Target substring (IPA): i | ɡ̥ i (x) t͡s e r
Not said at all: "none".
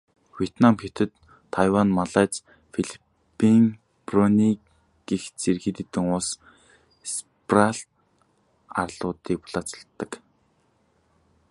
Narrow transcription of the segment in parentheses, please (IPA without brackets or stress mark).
x